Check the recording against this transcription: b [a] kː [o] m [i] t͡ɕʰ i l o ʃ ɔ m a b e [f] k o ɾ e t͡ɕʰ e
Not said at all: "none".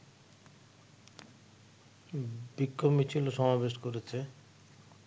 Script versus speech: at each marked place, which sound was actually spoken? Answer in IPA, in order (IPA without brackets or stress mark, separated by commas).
i, o, i, ʃ